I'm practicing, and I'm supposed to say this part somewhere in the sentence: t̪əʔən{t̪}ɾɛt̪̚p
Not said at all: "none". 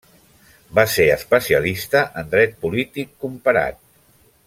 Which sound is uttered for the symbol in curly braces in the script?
d̪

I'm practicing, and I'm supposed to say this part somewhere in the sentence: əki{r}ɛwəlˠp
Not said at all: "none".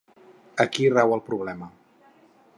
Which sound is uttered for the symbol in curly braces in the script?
r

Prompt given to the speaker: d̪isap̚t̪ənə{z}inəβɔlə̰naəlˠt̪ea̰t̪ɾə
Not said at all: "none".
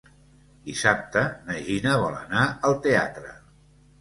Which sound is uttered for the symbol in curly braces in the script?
ʒ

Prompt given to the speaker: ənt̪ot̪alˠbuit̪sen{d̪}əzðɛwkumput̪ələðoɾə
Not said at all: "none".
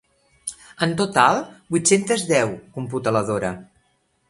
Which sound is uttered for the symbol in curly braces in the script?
t̪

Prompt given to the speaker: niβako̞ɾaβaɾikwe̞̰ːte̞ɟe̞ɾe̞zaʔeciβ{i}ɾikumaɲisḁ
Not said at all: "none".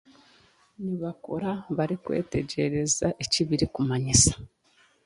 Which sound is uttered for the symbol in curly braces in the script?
i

